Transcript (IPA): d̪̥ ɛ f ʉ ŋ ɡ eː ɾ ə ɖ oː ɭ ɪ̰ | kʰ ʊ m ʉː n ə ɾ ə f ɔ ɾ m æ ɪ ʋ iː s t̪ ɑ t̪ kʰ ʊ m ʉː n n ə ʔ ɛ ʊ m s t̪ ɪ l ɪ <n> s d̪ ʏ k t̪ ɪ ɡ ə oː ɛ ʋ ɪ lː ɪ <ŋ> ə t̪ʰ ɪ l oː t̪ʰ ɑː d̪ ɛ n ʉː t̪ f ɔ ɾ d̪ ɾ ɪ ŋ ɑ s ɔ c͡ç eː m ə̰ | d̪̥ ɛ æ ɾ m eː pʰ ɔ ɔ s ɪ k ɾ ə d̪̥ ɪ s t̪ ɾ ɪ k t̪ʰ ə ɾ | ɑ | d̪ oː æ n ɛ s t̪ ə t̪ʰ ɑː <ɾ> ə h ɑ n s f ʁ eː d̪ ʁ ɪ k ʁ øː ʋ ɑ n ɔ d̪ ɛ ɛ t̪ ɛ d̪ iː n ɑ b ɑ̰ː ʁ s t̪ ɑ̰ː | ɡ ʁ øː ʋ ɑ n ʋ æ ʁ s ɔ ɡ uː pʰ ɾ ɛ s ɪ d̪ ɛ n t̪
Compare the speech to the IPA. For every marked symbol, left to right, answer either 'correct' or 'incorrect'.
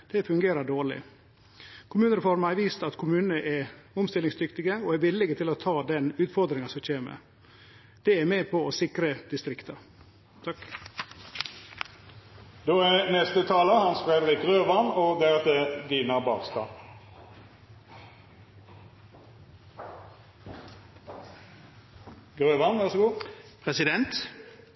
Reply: incorrect: ŋ, incorrect: ɡ, incorrect: l

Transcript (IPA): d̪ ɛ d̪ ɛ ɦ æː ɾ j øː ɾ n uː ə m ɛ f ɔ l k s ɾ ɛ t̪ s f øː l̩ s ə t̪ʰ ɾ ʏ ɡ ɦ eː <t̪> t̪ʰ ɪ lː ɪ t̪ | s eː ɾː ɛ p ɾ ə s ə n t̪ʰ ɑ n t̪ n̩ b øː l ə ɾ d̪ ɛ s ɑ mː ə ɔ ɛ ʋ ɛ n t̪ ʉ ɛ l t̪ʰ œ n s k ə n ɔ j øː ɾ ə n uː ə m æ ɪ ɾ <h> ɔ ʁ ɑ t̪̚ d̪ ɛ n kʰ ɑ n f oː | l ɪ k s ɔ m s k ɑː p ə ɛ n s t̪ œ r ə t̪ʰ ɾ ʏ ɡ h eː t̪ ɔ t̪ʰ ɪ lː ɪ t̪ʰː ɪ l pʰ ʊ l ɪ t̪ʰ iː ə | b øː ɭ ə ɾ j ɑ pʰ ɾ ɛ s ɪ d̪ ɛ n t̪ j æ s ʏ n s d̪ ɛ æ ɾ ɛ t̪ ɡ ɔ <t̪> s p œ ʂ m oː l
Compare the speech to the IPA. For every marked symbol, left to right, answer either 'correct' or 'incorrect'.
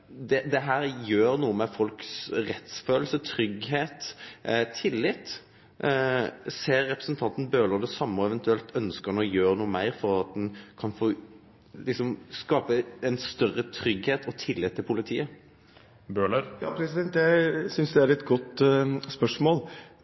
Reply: correct, incorrect: f, correct

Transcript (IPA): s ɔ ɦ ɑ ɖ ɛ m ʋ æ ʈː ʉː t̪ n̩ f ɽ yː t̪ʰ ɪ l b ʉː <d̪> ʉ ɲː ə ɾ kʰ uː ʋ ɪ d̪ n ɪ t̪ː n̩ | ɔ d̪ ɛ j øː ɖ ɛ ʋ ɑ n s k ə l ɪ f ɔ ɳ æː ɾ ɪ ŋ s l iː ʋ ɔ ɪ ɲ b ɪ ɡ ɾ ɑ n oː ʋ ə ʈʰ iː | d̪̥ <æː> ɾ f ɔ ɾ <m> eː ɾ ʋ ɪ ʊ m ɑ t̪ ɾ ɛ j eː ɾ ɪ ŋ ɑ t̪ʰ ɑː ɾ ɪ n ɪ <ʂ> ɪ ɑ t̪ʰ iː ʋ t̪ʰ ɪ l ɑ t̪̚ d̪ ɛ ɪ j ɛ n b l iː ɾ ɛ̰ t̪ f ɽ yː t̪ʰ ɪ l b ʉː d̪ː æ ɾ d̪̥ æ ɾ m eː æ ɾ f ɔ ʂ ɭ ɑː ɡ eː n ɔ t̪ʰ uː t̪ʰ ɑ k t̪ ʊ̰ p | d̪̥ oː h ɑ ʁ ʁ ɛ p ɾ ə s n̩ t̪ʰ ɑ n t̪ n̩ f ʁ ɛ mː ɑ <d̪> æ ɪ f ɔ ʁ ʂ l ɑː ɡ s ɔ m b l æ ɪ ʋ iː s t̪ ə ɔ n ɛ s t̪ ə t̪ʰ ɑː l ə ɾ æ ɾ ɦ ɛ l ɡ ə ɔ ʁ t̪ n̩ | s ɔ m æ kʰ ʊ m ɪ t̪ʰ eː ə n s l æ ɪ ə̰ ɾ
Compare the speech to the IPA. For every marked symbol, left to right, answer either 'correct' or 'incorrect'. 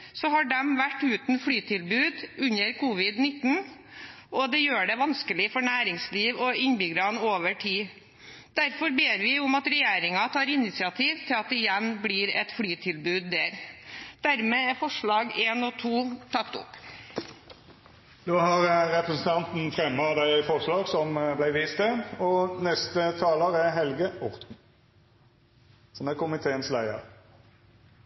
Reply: correct, incorrect: æ, incorrect: b, incorrect: s, correct

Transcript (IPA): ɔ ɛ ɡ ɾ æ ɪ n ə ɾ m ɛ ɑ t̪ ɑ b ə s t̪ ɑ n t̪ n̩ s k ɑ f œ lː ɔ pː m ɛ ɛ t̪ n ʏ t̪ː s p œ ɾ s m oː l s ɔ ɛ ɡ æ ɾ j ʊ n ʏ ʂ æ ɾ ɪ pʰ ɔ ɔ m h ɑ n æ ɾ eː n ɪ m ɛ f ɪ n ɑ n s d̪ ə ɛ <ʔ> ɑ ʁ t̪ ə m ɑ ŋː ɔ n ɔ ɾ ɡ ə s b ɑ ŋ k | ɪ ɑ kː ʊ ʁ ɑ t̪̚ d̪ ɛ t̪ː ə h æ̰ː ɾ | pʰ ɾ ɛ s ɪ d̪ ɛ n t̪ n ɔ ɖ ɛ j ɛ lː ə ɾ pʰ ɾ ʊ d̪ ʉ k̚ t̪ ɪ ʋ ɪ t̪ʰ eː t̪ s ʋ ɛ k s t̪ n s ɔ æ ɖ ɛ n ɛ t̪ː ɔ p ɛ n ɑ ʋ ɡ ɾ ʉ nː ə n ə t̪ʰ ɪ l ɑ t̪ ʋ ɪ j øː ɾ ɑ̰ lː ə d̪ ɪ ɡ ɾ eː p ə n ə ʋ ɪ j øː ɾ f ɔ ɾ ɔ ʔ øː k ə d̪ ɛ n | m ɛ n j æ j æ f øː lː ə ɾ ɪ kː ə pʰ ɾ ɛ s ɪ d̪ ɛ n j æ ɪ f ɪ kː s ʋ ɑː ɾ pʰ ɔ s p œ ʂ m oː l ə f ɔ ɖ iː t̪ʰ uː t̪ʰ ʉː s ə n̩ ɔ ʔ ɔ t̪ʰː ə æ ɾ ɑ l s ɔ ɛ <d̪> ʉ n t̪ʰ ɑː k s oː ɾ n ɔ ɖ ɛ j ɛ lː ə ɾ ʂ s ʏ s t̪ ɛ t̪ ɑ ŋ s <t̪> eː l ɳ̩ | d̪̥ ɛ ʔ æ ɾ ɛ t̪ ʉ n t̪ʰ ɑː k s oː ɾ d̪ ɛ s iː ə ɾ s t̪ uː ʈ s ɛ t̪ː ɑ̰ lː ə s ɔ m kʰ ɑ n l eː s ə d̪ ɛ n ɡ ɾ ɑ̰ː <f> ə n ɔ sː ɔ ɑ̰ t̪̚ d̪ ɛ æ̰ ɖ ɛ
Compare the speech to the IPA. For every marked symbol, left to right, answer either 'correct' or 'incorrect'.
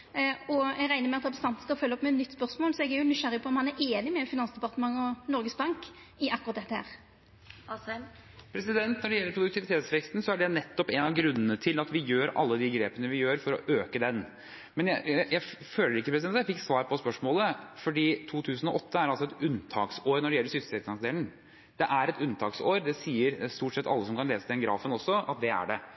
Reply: incorrect: p, incorrect: t̪, incorrect: d̪, correct

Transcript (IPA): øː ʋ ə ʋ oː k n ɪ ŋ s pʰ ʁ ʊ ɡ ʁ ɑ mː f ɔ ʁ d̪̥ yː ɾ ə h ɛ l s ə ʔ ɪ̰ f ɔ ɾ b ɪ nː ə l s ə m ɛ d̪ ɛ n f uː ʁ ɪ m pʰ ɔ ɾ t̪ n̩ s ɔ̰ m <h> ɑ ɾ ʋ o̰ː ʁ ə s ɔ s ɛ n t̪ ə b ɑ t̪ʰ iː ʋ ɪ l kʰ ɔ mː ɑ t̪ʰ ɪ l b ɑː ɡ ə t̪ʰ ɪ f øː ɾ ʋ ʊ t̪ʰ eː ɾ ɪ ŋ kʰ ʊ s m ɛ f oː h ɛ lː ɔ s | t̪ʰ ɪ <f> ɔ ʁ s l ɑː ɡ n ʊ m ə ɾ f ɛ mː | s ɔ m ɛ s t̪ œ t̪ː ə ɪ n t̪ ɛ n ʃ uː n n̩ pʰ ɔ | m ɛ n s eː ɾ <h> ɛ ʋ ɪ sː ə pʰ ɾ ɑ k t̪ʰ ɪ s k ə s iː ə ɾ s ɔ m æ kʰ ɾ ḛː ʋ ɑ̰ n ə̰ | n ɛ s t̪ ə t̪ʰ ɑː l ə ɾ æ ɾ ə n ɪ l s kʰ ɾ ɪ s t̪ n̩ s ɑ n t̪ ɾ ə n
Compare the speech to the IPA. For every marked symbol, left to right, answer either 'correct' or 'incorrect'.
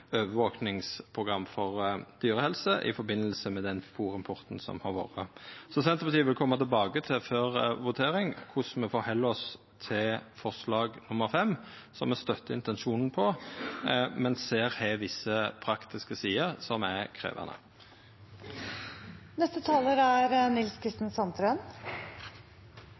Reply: correct, correct, correct

